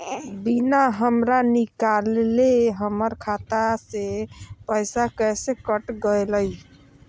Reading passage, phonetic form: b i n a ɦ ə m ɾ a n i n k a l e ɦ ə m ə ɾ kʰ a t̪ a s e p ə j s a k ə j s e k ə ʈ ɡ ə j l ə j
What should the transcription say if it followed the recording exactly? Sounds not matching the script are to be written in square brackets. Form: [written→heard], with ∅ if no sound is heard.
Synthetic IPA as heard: b i n a ɦ ə m ɾ a n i [n→∅] k a l e ɦ ə m ə ɾ kʰ a t̪ a s e p ə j s a k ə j s e k ə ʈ ɡ ə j l ə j